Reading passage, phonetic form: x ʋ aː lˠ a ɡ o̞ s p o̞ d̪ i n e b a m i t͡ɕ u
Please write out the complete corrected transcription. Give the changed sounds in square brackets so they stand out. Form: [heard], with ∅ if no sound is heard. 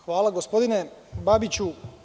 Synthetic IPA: x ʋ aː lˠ a ɡ o̞ s p o̞ d̪ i n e b a [b] i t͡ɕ u